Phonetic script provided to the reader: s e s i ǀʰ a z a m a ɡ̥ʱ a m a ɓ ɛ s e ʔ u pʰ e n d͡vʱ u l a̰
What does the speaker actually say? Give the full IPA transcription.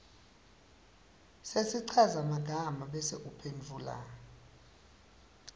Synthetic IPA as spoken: s e s i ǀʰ a z a m a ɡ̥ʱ a m a ɓ ɛ s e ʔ u pʰ e n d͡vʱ u l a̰